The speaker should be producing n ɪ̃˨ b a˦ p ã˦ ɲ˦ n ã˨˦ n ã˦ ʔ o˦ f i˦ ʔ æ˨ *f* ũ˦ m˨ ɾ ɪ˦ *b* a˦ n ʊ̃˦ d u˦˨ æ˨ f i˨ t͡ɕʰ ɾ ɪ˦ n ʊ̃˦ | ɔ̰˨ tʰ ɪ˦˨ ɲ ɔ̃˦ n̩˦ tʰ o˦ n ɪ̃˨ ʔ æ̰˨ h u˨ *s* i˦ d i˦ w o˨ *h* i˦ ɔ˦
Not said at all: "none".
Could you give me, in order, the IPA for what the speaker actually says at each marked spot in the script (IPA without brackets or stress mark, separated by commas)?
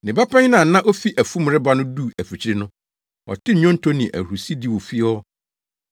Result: f, b, s, f